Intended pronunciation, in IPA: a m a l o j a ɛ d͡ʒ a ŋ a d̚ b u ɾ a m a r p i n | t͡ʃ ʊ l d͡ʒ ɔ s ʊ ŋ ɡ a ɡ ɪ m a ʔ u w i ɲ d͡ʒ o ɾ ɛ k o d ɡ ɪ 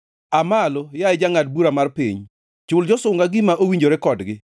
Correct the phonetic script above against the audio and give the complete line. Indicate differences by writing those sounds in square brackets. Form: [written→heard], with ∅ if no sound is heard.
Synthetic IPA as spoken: a m a l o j a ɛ d͡ʒ a ŋ a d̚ b u ɾ a m a r p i [n→ɲ] | t͡ʃ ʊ l d͡ʒ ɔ s ʊ ŋ ɡ a ɡ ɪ m a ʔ [u→o] w i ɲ d͡ʒ o ɾ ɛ k [o→ɔ] d ɡ ɪ

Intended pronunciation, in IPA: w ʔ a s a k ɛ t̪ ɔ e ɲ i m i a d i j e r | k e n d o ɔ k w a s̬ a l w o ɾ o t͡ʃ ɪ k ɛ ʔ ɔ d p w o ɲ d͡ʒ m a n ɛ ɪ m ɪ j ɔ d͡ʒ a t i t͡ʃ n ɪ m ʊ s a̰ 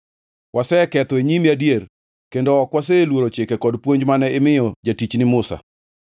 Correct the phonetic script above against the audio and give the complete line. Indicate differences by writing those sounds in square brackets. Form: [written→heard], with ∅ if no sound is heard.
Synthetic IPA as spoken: w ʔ a s [a→ɛ] k ɛ t̪ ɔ e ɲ i m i a d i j e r | k e n d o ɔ k w a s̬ [a→e] l w o ɾ o t͡ʃ ɪ k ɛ [ʔ→k] ɔ d p w o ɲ d͡ʒ m a n ɛ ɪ m ɪ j ɔ d͡ʒ a t i t͡ʃ n ɪ m ʊ s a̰

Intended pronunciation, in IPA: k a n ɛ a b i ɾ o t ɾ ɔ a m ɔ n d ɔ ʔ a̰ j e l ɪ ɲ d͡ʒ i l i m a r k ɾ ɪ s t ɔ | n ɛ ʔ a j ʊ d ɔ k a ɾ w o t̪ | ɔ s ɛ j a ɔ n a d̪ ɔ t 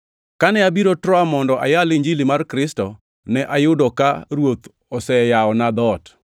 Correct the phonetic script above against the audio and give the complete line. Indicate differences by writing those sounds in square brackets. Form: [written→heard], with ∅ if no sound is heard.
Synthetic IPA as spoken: k a n ɛ a b i ɾ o t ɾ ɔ a m ɔ n d ɔ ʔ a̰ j [e→a] l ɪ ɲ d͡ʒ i l i m a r k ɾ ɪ s t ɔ | n ɛ ʔ a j ʊ d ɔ k a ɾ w o t̪ | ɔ s ɛ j a ɔ n a d̪ ɔ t

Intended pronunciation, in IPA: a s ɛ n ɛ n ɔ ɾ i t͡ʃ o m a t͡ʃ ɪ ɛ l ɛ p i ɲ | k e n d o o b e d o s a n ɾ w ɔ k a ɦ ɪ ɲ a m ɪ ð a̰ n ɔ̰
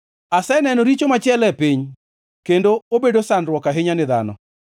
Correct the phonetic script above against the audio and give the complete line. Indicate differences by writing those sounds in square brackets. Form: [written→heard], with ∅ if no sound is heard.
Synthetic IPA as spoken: a s ɛ n ɛ n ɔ ɾ i t͡ʃ o m a t͡ʃ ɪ ɛ l ɛ p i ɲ | k e n d o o b e d o s a n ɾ w ɔ k a ɦ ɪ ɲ a [m→n] ɪ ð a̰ n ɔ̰

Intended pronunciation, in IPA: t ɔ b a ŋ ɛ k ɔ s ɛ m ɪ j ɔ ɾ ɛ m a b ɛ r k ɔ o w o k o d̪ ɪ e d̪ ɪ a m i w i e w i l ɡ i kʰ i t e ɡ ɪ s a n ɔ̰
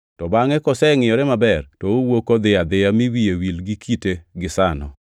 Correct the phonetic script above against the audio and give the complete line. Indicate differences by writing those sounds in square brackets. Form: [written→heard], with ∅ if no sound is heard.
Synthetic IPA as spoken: t ɔ b a ŋ ɛ k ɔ s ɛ [m→ŋ] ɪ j ɔ ɾ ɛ m a b ɛ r [k→t] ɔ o w o k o d̪ ɪ [e→a] d̪ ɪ a m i w i e w i l ɡ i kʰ i t e ɡ ɪ s a n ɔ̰

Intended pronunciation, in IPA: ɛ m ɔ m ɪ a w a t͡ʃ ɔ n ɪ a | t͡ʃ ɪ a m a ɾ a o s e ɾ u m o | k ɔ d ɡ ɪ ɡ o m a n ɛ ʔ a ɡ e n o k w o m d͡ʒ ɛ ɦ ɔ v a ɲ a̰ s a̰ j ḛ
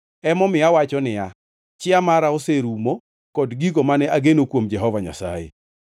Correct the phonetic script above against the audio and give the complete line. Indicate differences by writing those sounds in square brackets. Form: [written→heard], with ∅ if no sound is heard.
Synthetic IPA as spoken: ɛ m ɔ m ɪ a w a t͡ʃ ɔ n ɪ a | t͡ʃ ɪ a m a ɾ a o s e ɾ u m o | k ɔ d ɡ [ɪ→i] ɡ o m a n ɛ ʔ a ɡ e n o k w o m d͡ʒ ɛ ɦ ɔ v a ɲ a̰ s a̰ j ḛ

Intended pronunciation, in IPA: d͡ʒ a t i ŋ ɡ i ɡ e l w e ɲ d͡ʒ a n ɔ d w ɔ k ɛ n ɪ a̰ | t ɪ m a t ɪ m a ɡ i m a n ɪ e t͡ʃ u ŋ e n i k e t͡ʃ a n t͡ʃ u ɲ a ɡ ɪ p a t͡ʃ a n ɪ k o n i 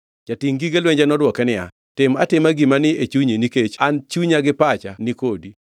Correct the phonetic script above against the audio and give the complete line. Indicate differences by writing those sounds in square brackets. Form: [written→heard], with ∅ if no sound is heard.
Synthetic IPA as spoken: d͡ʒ a t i ŋ ɡ i ɡ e l w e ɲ d͡ʒ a n ɔ d w ɔ k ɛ n ɪ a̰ | t ɪ m a t ɪ m a ɡ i m a n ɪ e t͡ʃ u [ŋ→ɲ] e n i k e t͡ʃ a n t͡ʃ u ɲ a ɡ ɪ p a t͡ʃ a n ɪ k o [n→d] i

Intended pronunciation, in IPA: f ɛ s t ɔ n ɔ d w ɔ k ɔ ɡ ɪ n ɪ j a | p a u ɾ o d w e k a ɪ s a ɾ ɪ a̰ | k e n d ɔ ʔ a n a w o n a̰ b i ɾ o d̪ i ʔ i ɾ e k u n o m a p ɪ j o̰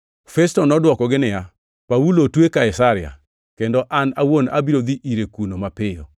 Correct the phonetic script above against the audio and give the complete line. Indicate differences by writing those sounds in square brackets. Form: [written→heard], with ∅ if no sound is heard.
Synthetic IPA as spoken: f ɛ s t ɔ n ɔ d w ɔ k ɔ ɡ ɪ n ɪ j a | p a u [ɾ→l] o [d→t] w e k a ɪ s a ɾ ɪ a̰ | k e n d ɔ ʔ a n a w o n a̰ b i ɾ o d̪ i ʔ i ɾ e k u n o m a p ɪ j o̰

